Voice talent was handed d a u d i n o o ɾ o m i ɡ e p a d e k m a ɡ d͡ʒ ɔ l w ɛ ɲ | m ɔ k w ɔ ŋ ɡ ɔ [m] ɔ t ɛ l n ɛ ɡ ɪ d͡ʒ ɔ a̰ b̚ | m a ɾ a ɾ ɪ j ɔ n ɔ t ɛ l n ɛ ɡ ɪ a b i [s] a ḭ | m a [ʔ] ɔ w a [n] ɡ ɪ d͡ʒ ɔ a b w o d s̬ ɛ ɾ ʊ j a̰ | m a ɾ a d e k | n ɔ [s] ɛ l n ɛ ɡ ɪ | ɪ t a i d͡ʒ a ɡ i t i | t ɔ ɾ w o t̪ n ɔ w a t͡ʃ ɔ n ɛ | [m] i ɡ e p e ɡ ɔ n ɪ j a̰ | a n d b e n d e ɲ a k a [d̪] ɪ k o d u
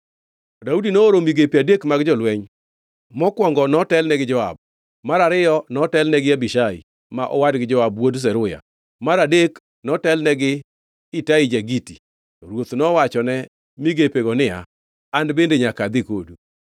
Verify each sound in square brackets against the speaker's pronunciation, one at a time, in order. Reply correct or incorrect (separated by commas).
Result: incorrect, incorrect, correct, incorrect, incorrect, correct, correct